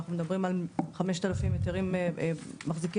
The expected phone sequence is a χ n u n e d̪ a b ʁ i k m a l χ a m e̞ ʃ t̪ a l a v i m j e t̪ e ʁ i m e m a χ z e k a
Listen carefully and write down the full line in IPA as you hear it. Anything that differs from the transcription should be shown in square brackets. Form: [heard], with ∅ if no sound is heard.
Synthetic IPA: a χ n u [m] e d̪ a b ʁ i [∅] m a l χ a m e̞ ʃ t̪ a l a [f] i m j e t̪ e ʁ i m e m a χ z [i] k [i]